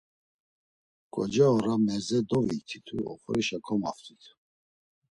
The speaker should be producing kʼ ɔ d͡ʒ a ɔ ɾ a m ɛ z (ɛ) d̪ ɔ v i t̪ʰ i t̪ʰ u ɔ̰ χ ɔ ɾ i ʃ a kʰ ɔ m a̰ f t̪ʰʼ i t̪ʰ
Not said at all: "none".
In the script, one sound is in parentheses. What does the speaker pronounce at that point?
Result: ɛ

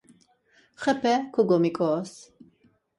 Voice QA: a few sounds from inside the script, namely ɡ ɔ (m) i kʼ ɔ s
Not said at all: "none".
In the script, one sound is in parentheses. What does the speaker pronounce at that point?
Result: m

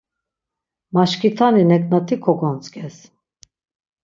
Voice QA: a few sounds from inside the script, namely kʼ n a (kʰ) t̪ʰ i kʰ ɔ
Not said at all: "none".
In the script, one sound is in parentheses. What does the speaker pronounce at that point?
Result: none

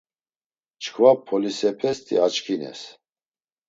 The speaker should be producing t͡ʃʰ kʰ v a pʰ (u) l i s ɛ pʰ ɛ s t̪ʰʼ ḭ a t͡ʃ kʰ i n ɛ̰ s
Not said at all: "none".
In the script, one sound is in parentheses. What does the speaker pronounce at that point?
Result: ɔ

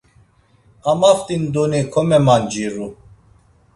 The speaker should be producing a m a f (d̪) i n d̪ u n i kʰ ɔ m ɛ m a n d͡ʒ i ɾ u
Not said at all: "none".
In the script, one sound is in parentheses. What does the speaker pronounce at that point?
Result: t̪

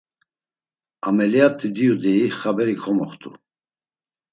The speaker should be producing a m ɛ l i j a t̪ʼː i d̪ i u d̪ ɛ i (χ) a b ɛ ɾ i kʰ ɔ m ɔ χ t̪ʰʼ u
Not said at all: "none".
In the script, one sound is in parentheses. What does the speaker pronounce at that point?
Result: χ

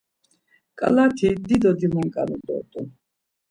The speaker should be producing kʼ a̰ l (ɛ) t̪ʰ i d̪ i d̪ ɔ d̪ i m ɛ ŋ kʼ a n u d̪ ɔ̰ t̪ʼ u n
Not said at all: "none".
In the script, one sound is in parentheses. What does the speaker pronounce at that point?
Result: a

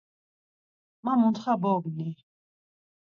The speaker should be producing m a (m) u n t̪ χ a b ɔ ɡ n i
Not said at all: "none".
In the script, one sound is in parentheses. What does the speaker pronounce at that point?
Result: m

